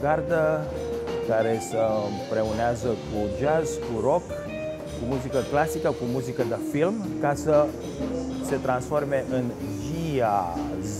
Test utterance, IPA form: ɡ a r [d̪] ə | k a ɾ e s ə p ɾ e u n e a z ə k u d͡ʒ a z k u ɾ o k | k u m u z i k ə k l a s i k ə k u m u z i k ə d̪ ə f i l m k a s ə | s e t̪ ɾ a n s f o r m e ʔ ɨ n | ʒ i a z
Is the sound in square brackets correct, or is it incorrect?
correct